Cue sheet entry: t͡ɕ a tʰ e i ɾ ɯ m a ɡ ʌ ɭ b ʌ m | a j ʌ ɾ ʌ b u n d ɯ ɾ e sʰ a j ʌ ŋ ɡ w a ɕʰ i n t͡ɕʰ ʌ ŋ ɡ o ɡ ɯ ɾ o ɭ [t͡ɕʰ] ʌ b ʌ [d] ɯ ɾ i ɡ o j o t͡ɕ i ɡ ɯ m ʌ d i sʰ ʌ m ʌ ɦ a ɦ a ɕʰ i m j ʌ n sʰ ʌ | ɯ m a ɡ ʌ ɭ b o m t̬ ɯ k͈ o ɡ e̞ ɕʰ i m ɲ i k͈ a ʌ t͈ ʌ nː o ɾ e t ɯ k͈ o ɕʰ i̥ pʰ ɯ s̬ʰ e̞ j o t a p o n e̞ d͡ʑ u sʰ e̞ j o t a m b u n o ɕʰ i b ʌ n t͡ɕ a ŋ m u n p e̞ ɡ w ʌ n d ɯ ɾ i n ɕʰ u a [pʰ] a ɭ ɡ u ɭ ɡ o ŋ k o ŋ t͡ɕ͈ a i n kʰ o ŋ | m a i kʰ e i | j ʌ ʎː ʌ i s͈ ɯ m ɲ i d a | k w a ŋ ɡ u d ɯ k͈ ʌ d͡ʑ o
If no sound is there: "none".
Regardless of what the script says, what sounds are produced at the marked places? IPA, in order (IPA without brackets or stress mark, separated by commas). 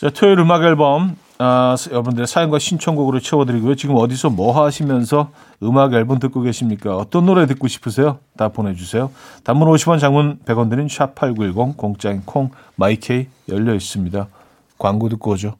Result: t͡ɕʰ, d, pʰ